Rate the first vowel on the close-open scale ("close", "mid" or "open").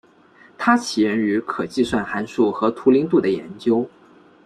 open